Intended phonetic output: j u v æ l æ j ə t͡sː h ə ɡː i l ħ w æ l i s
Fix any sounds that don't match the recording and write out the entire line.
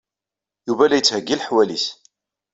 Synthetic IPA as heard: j u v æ l æ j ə t͡sː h ə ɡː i l ħ w æ l i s